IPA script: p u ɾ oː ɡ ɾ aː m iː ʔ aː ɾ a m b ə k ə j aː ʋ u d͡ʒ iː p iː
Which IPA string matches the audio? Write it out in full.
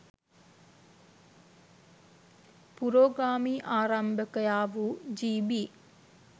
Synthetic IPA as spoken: p u ɾ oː ɡ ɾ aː m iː ʔ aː ɾ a m b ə k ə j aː ʋ u d͡ʒ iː b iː

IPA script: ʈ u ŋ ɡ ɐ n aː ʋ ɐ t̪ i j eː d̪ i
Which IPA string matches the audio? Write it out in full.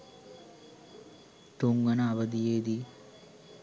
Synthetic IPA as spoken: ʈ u ŋ ɡ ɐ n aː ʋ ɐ d̪ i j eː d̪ i

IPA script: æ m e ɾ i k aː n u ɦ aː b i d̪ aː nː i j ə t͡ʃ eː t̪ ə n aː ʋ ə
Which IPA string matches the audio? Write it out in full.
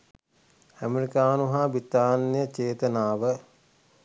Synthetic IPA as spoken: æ m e ɾ i k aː n u ɦ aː b i t̪ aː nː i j ə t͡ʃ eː t̪ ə n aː ʋ ə

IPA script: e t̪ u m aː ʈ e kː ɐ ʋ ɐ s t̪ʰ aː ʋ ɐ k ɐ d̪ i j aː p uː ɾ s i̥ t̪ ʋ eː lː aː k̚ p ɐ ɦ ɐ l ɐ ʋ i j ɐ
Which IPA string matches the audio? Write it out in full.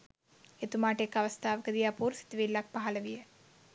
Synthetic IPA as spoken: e t̪ u m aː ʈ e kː ɐ ʋ ɐ s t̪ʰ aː ʋ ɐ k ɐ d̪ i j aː p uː ɾ s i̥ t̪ ʋ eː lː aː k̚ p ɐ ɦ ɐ l ɐ ʋ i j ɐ

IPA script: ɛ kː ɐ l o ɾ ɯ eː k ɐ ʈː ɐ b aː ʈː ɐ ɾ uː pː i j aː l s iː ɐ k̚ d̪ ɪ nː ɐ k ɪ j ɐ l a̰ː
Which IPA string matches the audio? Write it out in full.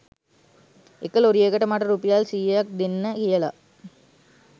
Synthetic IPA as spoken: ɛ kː ɐ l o ɾ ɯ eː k ɐ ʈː ɐ m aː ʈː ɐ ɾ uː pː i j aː l s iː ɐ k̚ d̪ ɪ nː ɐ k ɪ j ɐ l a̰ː

